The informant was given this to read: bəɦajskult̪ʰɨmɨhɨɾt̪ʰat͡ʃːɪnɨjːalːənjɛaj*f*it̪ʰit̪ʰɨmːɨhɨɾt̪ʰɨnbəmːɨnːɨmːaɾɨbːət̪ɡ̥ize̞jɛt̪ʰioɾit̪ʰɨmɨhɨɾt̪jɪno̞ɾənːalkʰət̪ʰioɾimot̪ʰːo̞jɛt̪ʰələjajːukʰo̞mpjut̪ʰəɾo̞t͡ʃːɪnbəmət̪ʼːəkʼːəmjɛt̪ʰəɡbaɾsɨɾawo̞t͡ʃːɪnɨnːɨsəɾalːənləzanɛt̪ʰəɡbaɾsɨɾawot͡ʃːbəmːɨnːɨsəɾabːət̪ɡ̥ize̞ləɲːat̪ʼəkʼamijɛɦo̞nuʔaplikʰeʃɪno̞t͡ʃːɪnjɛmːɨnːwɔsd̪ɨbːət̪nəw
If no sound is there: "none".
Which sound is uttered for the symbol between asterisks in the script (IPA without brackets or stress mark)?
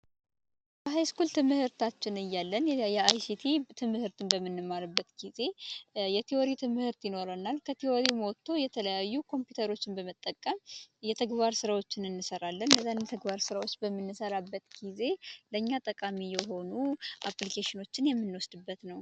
s